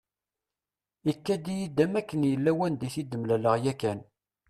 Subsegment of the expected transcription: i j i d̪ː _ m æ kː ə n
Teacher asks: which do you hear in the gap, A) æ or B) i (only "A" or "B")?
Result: A